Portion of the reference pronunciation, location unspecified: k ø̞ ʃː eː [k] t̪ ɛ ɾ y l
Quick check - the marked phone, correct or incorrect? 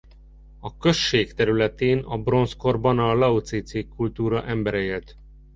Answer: correct